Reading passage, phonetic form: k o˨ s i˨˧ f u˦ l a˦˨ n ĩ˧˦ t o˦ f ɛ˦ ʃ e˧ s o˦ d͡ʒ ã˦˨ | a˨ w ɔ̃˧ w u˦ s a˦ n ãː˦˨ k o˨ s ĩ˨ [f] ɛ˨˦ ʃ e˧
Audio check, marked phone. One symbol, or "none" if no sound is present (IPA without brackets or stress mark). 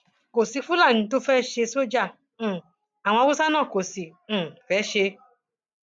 f